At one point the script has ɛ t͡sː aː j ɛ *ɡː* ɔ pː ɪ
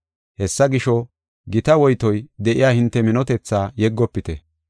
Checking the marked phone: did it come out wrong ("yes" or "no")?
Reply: no